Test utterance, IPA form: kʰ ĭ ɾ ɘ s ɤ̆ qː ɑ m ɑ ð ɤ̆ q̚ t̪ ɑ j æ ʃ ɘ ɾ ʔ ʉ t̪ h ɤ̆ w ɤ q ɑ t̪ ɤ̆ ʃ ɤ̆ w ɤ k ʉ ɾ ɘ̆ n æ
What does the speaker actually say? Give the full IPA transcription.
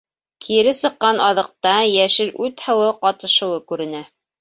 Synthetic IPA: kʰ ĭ ɾ ɘ s ɤ̆ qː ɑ n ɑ ð ɤ̆ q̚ t̪ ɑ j æ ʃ ɘ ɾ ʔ ʉ t̪ h ɤ̆ w ɤ q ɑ t̪ ɤ̆ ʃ ɤ̆ w ɤ k ʉ ɾ ɘ̆ n æ